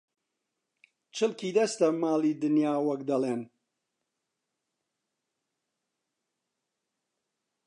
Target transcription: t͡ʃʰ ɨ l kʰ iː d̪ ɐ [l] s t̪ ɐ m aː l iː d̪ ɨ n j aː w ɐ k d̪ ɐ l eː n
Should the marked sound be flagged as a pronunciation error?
yes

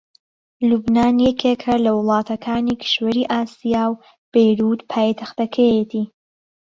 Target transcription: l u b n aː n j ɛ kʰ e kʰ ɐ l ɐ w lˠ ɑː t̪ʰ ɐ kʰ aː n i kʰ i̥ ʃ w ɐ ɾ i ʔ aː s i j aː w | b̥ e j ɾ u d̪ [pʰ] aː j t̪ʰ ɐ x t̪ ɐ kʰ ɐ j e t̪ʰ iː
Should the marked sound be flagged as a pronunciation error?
no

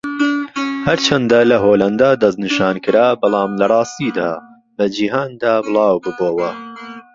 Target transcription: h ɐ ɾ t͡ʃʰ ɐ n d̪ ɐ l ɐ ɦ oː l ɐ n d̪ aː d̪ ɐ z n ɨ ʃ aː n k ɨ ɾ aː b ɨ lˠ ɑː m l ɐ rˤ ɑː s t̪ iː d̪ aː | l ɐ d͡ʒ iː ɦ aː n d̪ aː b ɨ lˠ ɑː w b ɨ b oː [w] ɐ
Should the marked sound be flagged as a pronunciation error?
no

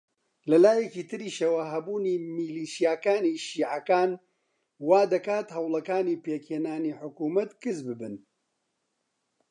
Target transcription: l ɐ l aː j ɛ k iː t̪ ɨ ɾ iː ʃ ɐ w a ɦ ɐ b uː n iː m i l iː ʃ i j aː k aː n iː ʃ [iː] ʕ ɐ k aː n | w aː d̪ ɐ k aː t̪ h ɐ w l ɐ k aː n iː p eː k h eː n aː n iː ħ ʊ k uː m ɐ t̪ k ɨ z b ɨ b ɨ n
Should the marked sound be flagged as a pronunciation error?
no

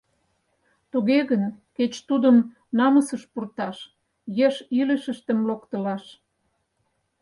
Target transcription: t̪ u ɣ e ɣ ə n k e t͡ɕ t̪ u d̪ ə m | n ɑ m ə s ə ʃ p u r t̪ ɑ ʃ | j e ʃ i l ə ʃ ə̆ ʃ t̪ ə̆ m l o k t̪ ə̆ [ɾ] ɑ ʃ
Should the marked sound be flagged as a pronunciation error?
yes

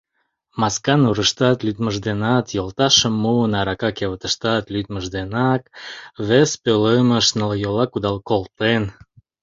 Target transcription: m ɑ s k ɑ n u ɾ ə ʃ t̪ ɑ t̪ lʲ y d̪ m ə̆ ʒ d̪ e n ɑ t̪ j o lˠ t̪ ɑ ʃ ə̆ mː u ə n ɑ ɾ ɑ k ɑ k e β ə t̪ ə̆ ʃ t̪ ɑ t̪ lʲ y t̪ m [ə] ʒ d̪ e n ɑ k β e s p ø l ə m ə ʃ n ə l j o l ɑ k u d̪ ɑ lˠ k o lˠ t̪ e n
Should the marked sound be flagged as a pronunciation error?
no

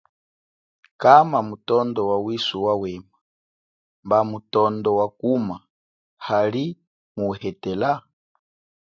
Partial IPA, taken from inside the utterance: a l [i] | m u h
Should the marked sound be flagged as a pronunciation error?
no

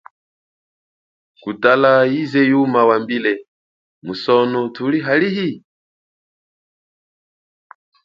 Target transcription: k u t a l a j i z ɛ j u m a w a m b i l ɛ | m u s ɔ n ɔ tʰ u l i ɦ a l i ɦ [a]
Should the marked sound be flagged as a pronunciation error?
yes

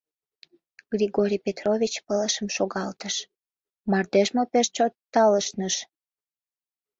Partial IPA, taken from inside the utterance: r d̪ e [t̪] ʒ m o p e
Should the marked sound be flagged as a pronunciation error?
yes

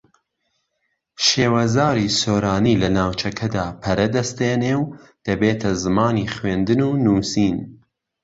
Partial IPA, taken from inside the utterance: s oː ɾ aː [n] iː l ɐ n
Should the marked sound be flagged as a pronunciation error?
no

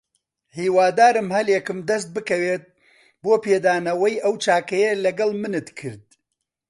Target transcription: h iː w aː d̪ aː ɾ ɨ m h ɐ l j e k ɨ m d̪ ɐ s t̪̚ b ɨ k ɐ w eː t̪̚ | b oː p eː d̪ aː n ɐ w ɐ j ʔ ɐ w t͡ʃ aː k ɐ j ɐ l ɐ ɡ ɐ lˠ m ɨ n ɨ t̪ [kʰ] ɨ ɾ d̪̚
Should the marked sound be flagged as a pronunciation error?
no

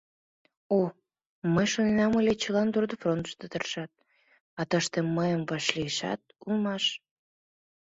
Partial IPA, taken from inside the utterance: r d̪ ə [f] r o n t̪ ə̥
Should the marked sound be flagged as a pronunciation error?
no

